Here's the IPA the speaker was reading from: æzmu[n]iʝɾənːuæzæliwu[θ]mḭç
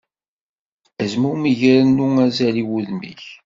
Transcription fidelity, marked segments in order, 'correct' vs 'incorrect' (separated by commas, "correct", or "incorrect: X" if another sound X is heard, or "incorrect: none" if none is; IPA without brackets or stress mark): incorrect: m, incorrect: ð